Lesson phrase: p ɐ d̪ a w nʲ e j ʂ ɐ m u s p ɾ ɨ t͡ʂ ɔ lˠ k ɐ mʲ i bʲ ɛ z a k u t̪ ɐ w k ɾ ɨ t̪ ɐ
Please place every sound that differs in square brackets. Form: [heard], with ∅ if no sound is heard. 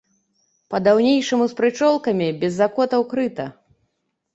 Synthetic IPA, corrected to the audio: p ɐ d̪ a w nʲ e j ʂ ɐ m u s p ɾ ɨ t͡ʂ ɔ lˠ k ɐ mʲ i bʲ ɛ [zː] a k [ɔ] t̪ ɐ w k ɾ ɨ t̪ ɐ